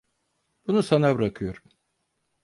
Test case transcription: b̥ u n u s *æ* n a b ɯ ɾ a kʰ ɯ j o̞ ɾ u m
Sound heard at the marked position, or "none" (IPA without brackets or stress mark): a